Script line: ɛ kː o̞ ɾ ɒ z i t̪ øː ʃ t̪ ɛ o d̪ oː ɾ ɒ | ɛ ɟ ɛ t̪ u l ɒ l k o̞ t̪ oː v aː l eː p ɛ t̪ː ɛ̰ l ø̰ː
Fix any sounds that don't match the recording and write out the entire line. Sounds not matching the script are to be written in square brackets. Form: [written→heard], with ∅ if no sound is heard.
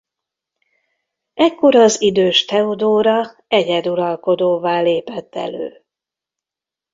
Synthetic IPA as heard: ɛ kː o̞ ɾ ɒ z i [t̪→d̪] øː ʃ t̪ ɛ o d̪ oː ɾ ɒ | ɛ ɟ ɛ [t̪→d̪] u [l→ɾ] ɒ l k o̞ [t̪→d̪] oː v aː l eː p ɛ t̪ː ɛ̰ l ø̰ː